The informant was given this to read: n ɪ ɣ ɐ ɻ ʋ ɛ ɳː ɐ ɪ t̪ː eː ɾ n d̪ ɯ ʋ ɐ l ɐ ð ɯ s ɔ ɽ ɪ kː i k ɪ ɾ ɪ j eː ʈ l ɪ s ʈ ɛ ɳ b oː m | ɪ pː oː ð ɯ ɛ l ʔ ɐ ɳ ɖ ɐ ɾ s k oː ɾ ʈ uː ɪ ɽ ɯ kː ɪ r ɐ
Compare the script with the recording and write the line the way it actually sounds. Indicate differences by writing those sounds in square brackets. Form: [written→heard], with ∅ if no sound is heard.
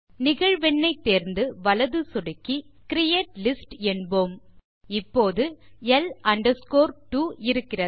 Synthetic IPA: n ɪ ɣ ɐ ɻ ʋ ɛ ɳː ɐ ɪ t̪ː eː ɾ n d̪ ɯ ʋ ɐ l ɐ ð ɯ s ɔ ɽ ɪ kː i k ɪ ɾ ɪ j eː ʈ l ɪ s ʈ ɛ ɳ b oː m | ɪ pː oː ð ɯ ɛ l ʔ ɐ ɳ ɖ ɐ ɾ s k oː ɾ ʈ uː ɪ [ɽ→ɾ] ɯ kː ɪ r ɐ